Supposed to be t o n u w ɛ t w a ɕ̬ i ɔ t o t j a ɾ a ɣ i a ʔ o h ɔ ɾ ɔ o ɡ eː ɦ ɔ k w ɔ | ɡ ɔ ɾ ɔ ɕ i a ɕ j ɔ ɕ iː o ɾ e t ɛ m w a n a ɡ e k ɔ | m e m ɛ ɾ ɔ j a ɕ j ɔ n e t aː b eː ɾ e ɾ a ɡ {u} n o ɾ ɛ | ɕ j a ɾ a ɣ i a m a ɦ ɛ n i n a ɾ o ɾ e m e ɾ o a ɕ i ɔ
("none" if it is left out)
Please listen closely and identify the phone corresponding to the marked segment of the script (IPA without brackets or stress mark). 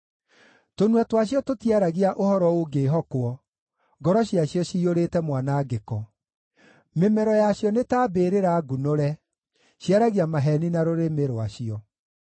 u